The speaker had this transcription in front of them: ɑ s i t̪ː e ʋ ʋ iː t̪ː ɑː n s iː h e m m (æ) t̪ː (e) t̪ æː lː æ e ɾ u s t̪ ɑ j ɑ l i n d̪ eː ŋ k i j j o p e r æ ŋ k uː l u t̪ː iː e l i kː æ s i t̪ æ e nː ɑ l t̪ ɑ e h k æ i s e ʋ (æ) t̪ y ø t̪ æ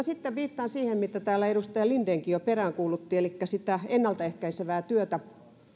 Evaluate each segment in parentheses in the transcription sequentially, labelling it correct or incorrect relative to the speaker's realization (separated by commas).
incorrect, incorrect, incorrect